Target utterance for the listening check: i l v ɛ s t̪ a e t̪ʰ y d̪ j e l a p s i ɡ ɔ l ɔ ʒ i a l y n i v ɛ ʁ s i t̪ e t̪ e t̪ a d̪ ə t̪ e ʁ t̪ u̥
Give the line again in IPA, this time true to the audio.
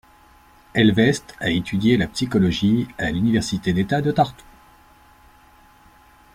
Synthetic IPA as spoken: ɛ l v ɛ s t̪ a e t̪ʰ y d̪ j e l a p s i k ɔ l ɔ ʒ i a l y n i v ɛ ʁ s i t̪ e d̪ e t̪ a d̪ ə t̪ a ʁ t̪ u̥